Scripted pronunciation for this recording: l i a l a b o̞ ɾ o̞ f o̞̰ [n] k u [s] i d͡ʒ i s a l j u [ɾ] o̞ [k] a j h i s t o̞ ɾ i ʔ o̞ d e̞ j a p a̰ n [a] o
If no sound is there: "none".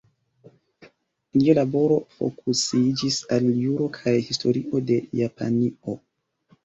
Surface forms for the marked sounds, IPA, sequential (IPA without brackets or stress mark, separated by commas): none, s, ɾ, kʰ, i